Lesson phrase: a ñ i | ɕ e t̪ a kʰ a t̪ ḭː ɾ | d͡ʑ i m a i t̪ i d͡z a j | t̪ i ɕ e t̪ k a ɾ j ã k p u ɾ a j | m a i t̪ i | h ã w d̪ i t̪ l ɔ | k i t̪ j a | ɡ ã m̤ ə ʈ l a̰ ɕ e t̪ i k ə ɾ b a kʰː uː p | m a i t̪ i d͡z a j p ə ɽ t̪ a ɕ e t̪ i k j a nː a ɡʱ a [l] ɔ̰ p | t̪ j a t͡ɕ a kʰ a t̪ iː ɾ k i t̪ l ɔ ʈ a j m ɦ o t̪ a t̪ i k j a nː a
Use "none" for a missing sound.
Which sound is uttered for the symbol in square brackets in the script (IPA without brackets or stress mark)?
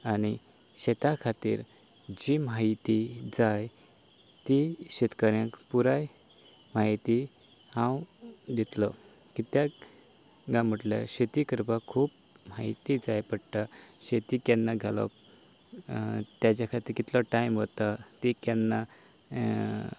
l